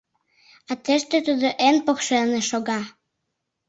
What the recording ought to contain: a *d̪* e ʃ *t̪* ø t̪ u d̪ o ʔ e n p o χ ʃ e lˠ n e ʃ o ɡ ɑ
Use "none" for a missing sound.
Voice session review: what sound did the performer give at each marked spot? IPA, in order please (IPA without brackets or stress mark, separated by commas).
t̪, t̪